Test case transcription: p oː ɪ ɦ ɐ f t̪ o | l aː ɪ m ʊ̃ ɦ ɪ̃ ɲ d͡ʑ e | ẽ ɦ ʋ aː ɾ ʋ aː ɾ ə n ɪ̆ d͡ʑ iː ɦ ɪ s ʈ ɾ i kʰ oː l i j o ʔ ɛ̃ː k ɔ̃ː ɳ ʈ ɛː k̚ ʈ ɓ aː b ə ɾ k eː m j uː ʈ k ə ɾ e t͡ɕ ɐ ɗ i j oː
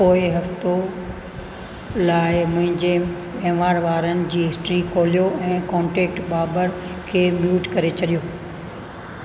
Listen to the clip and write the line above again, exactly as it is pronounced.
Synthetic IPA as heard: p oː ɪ ɦ ɐ f t̪ o | l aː ɪ m ʊ̃ ɦ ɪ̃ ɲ d͡ʑ e | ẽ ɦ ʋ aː ɾ ʋ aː ɾ ə n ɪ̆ d͡ʑ iː ɦ ɪ s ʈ ɾ i kʰ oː l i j o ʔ ɛ̃ː k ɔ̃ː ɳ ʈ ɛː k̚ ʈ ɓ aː b ə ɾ kʰ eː m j uː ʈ k ɐ ɾ e t͡ɕ ɐ ɗ i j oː